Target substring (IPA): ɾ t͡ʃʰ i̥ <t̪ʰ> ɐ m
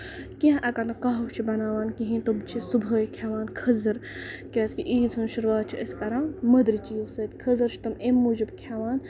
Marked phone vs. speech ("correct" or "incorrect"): incorrect